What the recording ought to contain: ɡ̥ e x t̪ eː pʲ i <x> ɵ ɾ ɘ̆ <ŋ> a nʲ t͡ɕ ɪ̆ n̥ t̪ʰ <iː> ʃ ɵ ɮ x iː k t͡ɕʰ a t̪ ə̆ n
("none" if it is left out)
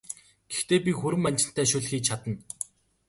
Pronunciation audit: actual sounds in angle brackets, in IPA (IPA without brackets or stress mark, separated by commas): x, m, æː